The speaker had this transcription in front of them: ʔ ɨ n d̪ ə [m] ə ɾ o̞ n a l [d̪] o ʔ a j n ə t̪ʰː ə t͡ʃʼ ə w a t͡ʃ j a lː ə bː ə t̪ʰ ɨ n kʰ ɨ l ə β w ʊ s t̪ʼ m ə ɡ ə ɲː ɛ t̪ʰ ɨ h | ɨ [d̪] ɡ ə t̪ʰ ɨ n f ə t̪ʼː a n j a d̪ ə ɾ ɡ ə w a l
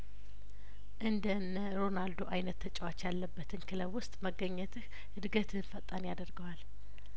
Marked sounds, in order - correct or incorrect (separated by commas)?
incorrect, correct, correct